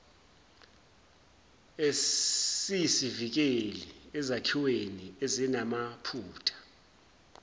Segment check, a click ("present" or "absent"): absent